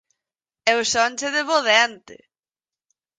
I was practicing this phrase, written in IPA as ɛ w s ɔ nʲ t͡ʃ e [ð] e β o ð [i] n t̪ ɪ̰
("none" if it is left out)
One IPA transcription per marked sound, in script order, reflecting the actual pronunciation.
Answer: ð, ɛ

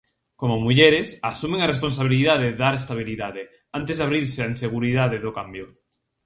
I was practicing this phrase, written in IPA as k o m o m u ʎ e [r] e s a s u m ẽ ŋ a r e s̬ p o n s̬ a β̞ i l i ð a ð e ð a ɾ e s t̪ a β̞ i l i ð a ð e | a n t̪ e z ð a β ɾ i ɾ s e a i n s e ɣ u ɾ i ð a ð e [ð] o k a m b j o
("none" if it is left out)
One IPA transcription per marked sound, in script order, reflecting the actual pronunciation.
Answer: ɾ, ð

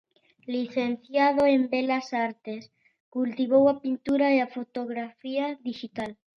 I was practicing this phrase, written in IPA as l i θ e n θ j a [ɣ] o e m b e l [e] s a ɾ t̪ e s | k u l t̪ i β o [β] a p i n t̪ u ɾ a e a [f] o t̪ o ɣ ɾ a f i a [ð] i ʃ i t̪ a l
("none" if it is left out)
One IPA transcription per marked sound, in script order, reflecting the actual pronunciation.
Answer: ð, a, w, f, ð

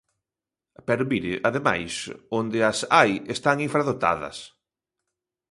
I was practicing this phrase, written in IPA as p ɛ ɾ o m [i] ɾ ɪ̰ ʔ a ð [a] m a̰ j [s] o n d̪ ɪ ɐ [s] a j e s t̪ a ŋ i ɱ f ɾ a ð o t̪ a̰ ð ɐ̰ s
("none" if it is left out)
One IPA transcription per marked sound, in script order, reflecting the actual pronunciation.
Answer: i, e, s, s

